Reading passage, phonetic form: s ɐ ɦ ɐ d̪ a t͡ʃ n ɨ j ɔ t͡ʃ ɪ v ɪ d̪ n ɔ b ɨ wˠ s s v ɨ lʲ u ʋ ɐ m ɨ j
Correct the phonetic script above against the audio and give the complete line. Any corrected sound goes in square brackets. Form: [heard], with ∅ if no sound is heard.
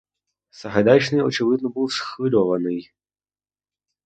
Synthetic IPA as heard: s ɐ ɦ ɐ d̪ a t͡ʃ n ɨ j ɔ t͡ʃ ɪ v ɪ d̪ n ɔ b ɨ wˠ s [x] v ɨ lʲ [ɔ] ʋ ɐ [n] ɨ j

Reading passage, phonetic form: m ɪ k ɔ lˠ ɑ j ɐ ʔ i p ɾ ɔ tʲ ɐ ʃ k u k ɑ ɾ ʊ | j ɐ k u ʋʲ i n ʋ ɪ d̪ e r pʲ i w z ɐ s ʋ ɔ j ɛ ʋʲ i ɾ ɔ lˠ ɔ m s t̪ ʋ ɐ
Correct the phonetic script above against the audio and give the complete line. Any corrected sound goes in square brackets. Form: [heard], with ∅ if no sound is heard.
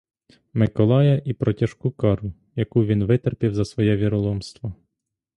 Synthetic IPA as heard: m ɪ k ɔ lˠ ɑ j ɐ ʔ i p ɾ ɔ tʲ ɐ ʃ k u k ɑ ɾ ʊ | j ɐ k u ʋʲ i n ʋ ɪ [t̪] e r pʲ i w z ɐ s ʋ ɔ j ɛ ʋʲ i ɾ ɔ lˠ ɔ m s t̪ ʋ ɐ

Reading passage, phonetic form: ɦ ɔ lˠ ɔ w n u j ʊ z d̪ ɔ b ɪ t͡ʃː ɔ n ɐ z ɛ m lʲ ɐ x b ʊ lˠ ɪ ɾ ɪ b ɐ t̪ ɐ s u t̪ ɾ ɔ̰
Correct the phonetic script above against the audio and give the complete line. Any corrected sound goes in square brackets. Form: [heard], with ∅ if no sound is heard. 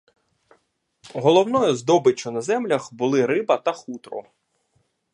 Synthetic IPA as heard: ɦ ɔ lˠ ɔ w n [ɔ] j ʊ z d̪ ɔ b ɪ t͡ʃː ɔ n ɐ z ɛ m lʲ ɐ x b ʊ lˠ ɪ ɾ ɪ b ɐ t̪ ɐ [x] u t̪ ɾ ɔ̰

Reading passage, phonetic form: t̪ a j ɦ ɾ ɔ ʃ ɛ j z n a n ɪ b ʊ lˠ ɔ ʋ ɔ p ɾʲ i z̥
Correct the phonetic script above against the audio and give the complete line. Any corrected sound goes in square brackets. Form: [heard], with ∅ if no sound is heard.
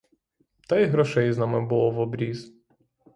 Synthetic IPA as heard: t̪ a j ɦ ɾ ɔ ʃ ɛ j z n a [m] ɪ b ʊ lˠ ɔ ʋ ɔ [b] ɾʲ i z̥

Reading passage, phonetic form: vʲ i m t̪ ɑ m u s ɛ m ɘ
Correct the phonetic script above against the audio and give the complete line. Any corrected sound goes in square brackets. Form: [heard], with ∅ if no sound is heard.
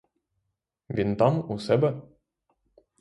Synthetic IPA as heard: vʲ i [n] t̪ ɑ m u s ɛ [b] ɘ

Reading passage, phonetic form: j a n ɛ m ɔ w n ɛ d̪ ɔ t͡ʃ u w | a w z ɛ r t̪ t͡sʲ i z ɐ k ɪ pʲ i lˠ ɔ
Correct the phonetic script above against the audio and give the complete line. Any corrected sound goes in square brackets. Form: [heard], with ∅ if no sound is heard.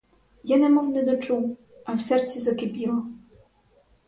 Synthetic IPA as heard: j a n ɛ m ɔ w n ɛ d̪ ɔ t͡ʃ u w | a w [s] ɛ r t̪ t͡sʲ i z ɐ k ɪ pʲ i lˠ ɔ

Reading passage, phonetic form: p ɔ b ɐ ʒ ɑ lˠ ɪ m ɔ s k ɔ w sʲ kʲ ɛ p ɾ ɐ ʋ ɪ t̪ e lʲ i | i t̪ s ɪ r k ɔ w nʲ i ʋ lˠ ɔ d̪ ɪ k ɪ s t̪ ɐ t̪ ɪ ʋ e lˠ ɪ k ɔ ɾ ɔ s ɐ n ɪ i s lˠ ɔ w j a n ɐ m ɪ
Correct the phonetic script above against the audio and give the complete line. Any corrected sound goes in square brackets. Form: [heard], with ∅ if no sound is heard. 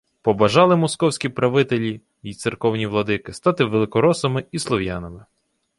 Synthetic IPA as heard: p ɔ b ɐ ʒ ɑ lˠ ɪ m ɔ s k ɔ w sʲ kʲ [i] p ɾ ɐ ʋ ɪ t̪ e lʲ i | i t̪ s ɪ r k ɔ w nʲ i ʋ lˠ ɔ d̪ ɪ k ɪ s t̪ [ɑ] t̪ ɪ ʋ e lˠ ɪ k ɔ ɾ ɔ s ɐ [m] ɪ i s lˠ ɔ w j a n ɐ m ɪ

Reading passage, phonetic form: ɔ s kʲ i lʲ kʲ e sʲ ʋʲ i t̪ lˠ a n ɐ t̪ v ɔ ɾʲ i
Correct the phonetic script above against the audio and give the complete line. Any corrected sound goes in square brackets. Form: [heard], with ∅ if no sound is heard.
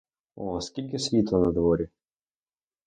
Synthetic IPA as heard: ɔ s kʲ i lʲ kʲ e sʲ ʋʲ i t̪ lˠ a n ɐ [d̪] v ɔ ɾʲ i

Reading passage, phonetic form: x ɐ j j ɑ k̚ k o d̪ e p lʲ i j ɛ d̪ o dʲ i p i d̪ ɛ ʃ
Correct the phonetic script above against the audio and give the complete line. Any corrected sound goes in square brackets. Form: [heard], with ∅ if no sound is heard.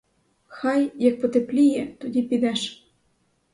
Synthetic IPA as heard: x [ɑ] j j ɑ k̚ [p] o [t̪] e p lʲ i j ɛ [t̪] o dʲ i p i d̪ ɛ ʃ

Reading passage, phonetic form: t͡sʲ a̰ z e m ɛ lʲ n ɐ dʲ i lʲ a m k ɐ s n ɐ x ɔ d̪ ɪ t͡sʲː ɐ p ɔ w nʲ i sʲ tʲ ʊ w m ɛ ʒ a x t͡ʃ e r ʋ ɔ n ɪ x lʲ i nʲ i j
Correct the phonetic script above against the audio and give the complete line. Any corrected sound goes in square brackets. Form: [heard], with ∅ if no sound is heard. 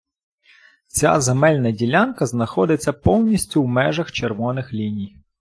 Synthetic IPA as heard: t͡sʲ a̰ z e m ɛ lʲ n ɐ dʲ i lʲ a [n] k ɐ [z] n ɐ x ɔ d̪ ɪ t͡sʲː ɐ p ɔ w nʲ i sʲ tʲ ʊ w m ɛ ʒ [ɐ] x t͡ʃ e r ʋ ɔ n ɪ x lʲ i nʲ i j

